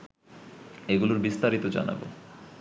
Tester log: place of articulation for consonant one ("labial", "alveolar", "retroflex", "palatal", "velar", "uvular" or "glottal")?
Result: velar